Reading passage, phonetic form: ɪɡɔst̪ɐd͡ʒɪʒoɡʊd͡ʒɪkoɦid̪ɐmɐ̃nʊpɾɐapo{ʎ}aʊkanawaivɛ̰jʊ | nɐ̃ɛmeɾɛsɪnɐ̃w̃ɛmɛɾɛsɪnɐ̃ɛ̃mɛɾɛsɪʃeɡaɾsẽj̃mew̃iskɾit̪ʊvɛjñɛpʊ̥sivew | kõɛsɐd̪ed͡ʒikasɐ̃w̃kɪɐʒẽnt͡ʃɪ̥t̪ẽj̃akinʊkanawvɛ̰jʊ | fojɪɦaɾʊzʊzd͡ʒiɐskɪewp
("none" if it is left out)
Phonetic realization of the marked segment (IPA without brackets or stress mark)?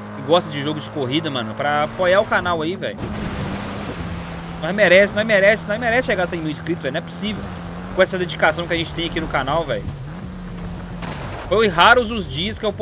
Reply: j